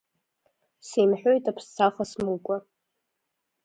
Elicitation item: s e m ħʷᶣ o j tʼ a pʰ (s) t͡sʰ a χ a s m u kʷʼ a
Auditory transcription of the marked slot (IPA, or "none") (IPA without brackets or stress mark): s